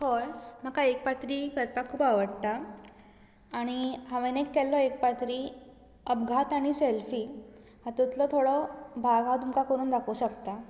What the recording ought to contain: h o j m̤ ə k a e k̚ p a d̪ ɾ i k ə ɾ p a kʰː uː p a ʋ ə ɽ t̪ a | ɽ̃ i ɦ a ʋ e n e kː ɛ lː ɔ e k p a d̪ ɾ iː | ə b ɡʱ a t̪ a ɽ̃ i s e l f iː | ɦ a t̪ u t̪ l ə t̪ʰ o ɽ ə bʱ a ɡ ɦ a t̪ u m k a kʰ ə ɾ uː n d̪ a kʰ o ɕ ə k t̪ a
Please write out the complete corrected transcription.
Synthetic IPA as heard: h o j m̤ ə k a e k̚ p a t̪ ɾ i k ə ɾ p a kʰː uː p a ʋ ə ɽ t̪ a | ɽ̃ i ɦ a ʋ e n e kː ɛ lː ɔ e k p a t̪ ɾ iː | ə b ɡʱ a t̪ a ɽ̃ i s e l f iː | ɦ a t̪ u t̪ l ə t̪ʰ o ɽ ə bʱ a ɡ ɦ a t̪ u m k a k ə ɾ uː n d̪ a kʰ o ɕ ə k t̪ a